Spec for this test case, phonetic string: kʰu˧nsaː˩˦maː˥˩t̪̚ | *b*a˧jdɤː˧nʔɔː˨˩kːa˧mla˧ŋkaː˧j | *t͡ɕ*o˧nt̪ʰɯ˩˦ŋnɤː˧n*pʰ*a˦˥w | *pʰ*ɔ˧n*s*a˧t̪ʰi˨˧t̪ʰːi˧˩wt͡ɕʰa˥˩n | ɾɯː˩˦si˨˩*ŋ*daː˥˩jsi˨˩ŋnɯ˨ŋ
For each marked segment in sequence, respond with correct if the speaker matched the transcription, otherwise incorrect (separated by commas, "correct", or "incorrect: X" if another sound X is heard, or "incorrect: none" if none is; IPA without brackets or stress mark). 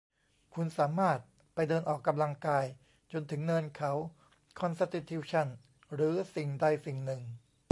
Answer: incorrect: p, correct, incorrect: kʰ, incorrect: kʰ, correct, correct